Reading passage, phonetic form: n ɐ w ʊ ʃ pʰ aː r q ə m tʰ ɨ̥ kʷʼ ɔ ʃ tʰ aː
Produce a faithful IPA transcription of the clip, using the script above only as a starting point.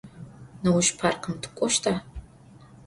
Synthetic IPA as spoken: n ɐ w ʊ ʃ pʰ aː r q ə m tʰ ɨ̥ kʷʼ ɔ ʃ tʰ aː